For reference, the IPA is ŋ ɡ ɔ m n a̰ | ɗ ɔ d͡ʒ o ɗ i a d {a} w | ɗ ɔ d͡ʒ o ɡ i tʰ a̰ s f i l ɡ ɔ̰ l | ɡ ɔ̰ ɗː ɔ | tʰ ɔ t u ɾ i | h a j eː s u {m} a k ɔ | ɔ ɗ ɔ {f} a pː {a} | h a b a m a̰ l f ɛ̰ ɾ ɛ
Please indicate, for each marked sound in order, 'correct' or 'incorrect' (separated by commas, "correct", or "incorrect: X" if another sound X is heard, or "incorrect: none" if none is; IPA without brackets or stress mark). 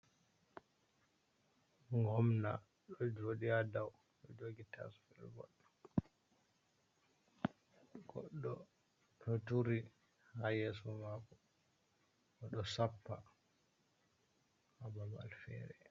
correct, correct, incorrect: s, correct